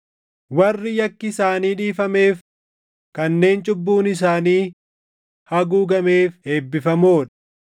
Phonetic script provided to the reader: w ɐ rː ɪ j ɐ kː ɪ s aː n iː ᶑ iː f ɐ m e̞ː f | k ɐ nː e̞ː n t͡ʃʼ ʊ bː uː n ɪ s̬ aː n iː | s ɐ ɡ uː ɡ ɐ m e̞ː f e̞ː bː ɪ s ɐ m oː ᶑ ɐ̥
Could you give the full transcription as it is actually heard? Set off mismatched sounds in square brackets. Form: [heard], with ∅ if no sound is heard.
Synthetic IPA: w ɐ rː ɪ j ɐ kː ɪ s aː n iː ᶑ iː f ɐ m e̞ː f | k ɐ nː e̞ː n t͡ʃʼ ʊ bː uː n ɪ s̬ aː n iː | [h] ɐ ɡ uː ɡ ɐ m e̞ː f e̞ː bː ɪ [f] ɐ m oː ᶑ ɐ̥

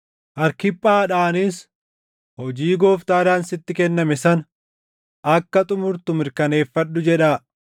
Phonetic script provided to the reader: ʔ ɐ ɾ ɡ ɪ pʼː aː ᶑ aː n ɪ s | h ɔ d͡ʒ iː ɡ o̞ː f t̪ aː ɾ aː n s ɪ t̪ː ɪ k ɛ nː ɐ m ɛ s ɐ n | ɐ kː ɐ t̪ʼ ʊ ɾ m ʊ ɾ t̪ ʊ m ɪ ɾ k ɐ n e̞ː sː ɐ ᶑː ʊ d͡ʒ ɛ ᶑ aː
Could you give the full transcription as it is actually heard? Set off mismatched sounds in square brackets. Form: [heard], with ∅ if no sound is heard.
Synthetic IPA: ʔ ɐ ɾ [k] ɪ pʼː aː ᶑ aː n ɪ s | h ɔ d͡ʒ iː ɡ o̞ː f t̪ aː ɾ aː n s ɪ t̪ː ɪ k ɛ nː ɐ m ɛ s ɐ n | ɐ kː ɐ t̪ʼ ʊ [∅] m ʊ ɾ t̪ ʊ m ɪ ɾ k ɐ n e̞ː [fː] ɐ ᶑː ʊ d͡ʒ ɛ ᶑ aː

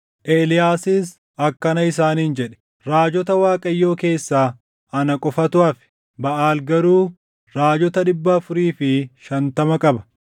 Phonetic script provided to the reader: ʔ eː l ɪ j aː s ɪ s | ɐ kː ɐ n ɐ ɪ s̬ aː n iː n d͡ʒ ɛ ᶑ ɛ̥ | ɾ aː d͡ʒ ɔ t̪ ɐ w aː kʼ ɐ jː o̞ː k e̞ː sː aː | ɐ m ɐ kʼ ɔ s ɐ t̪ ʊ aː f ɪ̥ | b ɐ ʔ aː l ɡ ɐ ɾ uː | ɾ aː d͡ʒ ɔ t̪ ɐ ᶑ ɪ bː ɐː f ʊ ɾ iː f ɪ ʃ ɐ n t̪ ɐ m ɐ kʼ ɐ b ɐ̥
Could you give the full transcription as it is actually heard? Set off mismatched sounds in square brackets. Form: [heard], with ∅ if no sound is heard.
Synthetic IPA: ʔ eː l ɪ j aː s ɪ s | ɐ kː ɐ n ɐ ɪ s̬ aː n iː n d͡ʒ ɛ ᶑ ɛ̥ | ɾ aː d͡ʒ ɔ t̪ ɐ w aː kʼ ɐ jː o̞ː k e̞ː sː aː | ɐ [n] ɐ kʼ ɔ [f] ɐ t̪ ʊ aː f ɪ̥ | b ɐ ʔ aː l ɡ ɐ ɾ uː | ɾ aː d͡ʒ ɔ t̪ ɐ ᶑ ɪ bː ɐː f ʊ ɾ iː f ɪ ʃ ɐ n t̪ ɐ m ɐ kʼ ɐ b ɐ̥

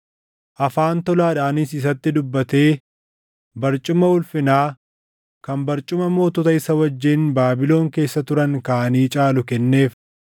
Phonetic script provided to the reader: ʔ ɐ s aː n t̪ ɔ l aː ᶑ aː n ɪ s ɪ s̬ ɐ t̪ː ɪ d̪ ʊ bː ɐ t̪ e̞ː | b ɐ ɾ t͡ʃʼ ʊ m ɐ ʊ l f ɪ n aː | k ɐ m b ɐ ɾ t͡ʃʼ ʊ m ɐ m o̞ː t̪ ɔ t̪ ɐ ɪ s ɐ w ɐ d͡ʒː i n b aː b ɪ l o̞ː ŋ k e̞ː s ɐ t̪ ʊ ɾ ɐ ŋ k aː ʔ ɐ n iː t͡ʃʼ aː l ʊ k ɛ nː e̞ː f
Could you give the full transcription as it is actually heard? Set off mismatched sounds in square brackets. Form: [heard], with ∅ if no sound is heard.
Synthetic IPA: ʔ ɐ [f] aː n t̪ ɔ l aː ᶑ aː n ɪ s ɪ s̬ ɐ t̪ː ɪ d̪ ʊ bː ɐ t̪ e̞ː | b ɐ ɾ t͡ʃʼ ʊ m ɐ ʊ l f ɪ n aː | k ɐ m b ɐ ɾ t͡ʃʼ ʊ m ɐ m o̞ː t̪ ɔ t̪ ɐ ɪ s ɐ w ɐ d͡ʒː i n b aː b ɪ l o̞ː ŋ k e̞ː [sː] ɐ t̪ ʊ ɾ ɐ ŋ k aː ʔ ɐ n iː t͡ʃʼ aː l ʊ k ɛ nː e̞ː f

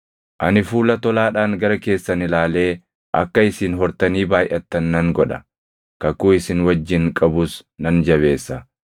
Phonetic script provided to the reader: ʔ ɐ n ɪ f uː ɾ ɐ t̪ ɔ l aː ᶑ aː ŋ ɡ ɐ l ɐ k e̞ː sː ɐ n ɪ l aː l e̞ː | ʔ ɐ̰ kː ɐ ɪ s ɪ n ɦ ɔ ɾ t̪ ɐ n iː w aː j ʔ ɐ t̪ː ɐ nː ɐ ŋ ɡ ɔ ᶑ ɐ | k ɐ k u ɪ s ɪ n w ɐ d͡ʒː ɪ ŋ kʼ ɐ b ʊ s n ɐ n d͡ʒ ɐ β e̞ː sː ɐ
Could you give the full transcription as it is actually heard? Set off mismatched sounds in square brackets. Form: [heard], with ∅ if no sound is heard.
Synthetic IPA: ʔ ɐ n ɪ f uː [l] ɐ t̪ ɔ l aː ᶑ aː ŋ ɡ ɐ [ɾ] ɐ k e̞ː sː ɐ n ɪ l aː l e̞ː | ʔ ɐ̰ kː ɐ ɪ s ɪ n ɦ ɔ ɾ t̪ ɐ n iː [b] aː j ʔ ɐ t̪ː ɐ nː ɐ ŋ ɡ ɔ ᶑ ɐ | k ɐ k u ɪ s ɪ n w ɐ d͡ʒː ɪ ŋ kʼ ɐ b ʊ s n ɐ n d͡ʒ ɐ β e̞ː sː ɐ

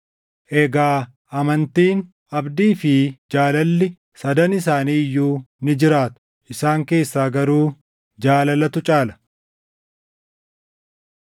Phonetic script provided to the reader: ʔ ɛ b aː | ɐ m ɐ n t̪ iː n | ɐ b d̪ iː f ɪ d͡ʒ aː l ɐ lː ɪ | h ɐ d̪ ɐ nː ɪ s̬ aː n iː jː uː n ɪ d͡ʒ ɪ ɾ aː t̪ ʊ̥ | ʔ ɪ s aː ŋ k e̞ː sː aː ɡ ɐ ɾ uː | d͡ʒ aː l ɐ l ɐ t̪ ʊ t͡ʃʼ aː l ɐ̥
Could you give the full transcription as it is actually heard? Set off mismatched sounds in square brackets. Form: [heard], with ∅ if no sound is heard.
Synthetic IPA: ʔ ɛ [ɡ] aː | ɐ m ɐ n t̪ iː n | ɐ b d̪ iː f ɪ d͡ʒ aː l ɐ lː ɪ | [s] ɐ d̪ ɐ [n] ɪ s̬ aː n iː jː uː n ɪ d͡ʒ ɪ ɾ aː t̪ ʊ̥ | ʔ ɪ s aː ŋ k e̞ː sː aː ɡ ɐ ɾ uː | d͡ʒ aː l ɐ l ɐ t̪ ʊ t͡ʃʼ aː l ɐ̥

